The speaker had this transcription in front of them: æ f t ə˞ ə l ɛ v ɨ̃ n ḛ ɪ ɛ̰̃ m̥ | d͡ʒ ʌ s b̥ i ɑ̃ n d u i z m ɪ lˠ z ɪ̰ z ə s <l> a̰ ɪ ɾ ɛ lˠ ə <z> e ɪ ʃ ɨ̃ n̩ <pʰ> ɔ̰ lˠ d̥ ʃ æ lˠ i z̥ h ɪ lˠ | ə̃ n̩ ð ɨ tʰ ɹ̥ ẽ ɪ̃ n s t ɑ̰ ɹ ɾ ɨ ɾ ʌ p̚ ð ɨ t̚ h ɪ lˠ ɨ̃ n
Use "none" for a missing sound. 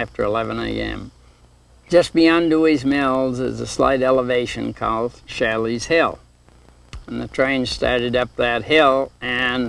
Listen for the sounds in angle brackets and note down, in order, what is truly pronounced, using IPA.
l, v, kʰ

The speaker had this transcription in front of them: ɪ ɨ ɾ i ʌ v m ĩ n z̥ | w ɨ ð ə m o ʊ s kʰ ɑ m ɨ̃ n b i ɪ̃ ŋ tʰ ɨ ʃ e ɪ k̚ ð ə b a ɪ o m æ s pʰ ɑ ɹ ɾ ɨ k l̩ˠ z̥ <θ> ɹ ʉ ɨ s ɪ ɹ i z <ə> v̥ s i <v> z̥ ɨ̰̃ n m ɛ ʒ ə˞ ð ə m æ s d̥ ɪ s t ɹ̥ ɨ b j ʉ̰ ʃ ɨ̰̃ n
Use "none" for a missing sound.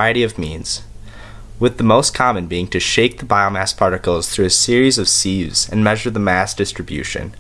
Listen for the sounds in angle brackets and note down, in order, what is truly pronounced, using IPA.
θ, ʌ, v

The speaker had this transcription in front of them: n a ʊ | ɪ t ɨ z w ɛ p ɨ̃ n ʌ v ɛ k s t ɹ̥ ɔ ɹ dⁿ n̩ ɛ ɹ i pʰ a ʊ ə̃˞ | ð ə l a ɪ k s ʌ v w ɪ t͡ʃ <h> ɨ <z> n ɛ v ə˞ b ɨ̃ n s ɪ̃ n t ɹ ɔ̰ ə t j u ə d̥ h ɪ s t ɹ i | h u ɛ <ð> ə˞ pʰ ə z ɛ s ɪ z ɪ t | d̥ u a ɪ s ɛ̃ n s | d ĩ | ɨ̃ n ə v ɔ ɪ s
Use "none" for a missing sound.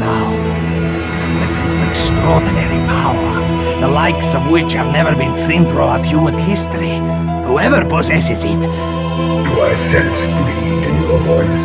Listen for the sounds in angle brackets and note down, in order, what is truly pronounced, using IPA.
h, v, v

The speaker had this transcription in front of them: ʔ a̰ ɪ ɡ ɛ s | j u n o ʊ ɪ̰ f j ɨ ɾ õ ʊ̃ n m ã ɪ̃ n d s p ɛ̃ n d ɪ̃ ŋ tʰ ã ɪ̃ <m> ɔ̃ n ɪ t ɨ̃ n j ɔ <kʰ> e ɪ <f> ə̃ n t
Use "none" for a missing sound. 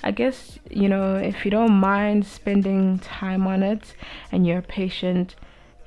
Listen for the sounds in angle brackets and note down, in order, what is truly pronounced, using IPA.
m, pʰ, ʃ

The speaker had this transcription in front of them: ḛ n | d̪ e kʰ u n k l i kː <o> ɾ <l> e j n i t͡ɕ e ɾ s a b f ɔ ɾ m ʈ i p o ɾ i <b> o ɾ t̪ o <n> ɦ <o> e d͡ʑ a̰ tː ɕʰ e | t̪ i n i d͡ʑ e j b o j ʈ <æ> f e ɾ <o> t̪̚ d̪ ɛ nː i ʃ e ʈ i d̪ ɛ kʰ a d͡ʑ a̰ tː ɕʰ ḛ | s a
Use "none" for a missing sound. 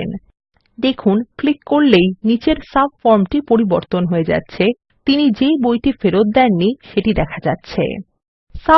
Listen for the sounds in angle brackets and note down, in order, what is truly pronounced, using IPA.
o, l, b, n, o, i, o

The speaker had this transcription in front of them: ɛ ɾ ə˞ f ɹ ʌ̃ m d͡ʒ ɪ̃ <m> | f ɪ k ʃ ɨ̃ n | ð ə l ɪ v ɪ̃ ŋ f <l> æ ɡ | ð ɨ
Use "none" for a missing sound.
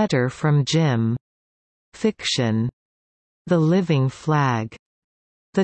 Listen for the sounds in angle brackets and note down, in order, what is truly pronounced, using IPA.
m, l

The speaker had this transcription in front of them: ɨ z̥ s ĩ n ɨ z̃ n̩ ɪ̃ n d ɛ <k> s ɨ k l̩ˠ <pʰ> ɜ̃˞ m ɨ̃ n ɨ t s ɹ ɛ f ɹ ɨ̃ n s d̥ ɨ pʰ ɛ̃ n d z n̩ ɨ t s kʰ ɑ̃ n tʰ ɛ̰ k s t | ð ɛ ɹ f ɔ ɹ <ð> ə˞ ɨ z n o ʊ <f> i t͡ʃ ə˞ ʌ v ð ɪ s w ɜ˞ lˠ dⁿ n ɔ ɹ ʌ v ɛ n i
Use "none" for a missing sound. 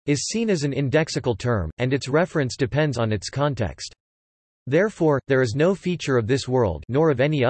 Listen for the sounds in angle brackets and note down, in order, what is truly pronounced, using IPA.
k, tʰ, ð, f

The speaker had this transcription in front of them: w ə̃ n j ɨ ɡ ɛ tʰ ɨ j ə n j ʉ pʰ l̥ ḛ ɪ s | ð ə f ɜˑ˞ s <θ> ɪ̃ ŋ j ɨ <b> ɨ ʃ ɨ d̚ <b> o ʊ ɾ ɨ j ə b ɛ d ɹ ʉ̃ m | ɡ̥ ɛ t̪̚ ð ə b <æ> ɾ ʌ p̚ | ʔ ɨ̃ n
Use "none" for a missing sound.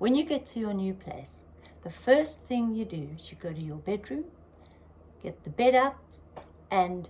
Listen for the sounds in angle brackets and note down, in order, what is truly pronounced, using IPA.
θ, d, ɡ, ɛ

